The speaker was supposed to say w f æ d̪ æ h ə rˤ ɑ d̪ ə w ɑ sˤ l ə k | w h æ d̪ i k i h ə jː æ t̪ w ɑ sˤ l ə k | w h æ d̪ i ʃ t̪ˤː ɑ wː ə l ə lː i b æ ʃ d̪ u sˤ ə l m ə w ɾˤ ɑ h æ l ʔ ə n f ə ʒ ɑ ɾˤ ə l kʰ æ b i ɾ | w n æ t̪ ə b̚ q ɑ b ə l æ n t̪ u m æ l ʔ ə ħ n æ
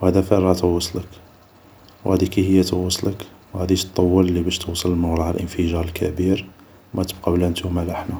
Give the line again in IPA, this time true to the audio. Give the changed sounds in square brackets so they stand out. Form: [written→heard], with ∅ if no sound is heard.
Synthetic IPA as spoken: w [f→h] æ d̪ æ [h→f] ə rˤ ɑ [d̪→t̪] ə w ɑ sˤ l ə k | w h æ d̪ i k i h ə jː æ t̪ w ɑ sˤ l ə k | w h æ d̪ i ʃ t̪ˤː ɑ wː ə l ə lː i b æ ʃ [d̪→t̪] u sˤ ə l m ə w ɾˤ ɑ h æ l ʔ ə n f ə ʒ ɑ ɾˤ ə l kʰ æ b i ɾ | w [n→m] æ t̪ ə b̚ q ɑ b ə l æ n t̪ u m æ l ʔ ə ħ n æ